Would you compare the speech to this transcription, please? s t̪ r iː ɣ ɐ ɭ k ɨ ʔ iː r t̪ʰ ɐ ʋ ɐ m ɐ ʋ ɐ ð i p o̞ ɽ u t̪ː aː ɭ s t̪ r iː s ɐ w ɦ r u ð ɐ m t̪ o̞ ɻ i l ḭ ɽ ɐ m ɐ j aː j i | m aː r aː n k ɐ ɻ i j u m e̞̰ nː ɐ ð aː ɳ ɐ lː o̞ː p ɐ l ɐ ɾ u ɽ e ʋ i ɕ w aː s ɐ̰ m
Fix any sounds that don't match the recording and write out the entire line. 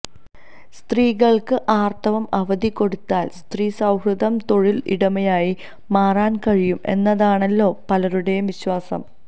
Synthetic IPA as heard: s t̪ r iː ɣ ɐ ɭ k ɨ ʔ aː r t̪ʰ ɐ ʋ ɐ m ɐ ʋ ɐ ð i k o̞ ɽ u t̪ː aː l s t̪ r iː s ɐ w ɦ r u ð ɐ m t̪ o̞ ɻ i l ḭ ɽ ɐ m ɐ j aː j i | m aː r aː n k ɐ ɻ i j u m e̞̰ nː ɐ ð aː ɳ ɐ lː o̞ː p ɐ l ɐ ɾ u ɽ e ʋ i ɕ w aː s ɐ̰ m